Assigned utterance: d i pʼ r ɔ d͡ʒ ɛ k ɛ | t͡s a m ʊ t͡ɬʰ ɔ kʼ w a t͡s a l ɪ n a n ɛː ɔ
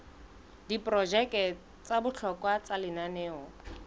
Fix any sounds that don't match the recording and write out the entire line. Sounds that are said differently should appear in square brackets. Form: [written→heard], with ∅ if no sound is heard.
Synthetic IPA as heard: d i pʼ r ɔ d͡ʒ ɛ k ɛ | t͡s a [m→b] ʊ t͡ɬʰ ɔ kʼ w a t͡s a l ɪ n a n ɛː ɔ